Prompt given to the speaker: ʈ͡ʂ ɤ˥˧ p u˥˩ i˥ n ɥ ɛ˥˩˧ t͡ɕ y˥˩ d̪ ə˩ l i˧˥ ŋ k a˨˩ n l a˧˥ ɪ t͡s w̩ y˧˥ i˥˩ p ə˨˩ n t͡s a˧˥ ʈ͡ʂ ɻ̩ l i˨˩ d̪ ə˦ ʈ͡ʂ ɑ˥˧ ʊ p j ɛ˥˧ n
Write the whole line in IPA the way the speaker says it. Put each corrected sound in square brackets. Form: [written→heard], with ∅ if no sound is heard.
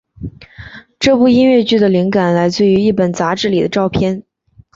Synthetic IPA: ʈ͡ʂ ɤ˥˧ p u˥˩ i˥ n ɥ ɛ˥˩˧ t͡ɕ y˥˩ d̪ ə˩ l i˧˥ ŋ k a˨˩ n l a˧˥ ɪ t͡s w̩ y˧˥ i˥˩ p ə˨˩ n t͡s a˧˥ ʈ͡ʂ ɻ̩ l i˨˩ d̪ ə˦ ʈ͡ʂ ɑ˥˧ ʊ [p→pʰ] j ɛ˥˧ n